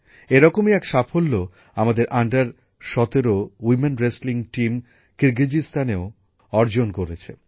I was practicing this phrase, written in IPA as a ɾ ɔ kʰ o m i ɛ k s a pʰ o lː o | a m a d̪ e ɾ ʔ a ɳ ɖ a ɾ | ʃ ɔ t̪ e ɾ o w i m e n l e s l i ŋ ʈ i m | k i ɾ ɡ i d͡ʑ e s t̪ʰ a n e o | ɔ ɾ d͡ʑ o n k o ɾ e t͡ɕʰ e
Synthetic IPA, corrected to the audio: e ɾ ɔ k o m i ɛ k ʃ a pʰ o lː o | a m a d̪ e ɾ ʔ a ɳ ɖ a ɾ | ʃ ɔ t̪ e ɾ o w i m e n ɾ e s l i ŋ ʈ i m | k i ɾ ɡ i d͡ʑ i s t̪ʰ a n e o | ɔ ɾ d͡ʑ o n k o ɾ e t͡ɕʰ e

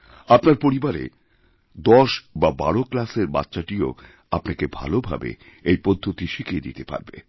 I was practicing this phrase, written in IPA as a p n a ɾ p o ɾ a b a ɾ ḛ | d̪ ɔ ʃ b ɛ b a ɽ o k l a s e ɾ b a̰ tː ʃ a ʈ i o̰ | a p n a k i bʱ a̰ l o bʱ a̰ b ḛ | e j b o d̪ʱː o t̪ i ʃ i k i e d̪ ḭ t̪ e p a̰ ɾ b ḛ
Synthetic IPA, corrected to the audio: a p n a ɾ p o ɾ i b a ɾ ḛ | d̪ ɔ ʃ b a b a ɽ o k l a s e ɾ b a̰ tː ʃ a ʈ i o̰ | a p n a k e bʱ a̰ l o bʱ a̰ b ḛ | e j p o d̪ʱː o t̪ i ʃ i k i e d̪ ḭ t̪ e p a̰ ɾ b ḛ

